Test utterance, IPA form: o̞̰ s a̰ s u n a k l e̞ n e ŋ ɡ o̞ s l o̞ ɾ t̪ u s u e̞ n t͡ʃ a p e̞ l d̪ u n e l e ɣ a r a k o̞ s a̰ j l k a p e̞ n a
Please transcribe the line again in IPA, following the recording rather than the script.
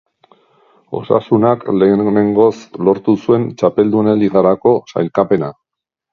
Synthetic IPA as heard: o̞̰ s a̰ s u n a k l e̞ n e ŋ ɡ o̞ s l o̞ ɾ t̪ u s u e̞ n t͡ʃ a p e̞ l d̪ u n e l i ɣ a ɾ a k o̞ s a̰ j l k a p e̞ n a